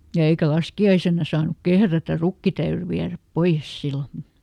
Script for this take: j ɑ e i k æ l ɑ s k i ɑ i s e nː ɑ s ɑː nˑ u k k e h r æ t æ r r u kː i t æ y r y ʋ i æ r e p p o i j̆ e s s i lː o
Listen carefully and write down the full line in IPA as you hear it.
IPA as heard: j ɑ e i k æ l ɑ s k i ɑ i s e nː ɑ s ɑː nˑ u k k e h r æ t æ r r u kː i t æ y r y ʋ i æ r æ p p o i j̆ e s s i lː o